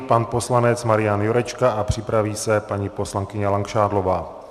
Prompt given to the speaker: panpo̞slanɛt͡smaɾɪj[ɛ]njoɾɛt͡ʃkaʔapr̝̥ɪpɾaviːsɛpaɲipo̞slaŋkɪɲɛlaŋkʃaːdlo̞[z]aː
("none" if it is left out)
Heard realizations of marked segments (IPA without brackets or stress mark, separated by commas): a, v